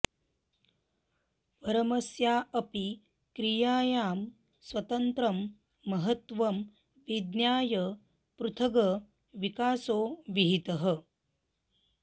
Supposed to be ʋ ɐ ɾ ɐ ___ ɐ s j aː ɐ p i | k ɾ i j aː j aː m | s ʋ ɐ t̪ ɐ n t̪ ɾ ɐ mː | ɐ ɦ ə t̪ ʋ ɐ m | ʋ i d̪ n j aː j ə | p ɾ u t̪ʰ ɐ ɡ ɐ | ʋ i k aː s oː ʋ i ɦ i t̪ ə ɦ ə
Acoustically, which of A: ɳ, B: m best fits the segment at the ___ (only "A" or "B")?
B